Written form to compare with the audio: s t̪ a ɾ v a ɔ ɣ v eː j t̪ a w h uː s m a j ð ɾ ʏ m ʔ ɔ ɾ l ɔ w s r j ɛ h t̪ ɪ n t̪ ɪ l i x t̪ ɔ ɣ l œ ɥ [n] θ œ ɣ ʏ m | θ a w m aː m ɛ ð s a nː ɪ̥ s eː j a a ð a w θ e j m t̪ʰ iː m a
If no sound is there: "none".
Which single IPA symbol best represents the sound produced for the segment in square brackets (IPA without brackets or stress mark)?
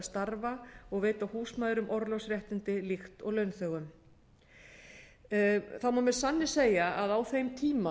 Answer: n